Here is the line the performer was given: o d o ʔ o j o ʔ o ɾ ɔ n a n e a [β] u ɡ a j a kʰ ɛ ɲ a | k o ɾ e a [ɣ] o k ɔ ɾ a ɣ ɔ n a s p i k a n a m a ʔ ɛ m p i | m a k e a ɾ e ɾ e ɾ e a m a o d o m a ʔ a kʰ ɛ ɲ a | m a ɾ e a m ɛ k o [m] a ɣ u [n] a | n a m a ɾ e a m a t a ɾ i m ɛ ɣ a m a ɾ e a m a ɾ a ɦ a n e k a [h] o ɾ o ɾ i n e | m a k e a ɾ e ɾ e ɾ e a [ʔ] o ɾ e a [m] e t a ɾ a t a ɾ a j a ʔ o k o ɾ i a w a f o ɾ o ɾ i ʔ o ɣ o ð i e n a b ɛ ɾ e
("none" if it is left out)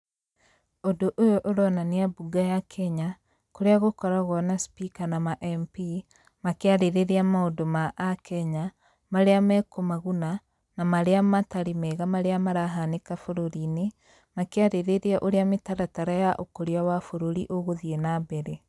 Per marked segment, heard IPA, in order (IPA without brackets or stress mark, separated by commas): b, ɣ, m, n, f, ʔ, m